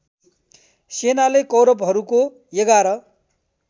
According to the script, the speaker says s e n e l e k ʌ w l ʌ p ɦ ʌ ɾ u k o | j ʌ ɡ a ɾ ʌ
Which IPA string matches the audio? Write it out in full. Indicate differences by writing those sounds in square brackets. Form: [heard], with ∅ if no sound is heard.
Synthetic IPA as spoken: s e n [a] l e k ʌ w [ɾ] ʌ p ɦ ʌ ɾ u k o | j ʌ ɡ a ɾ ʌ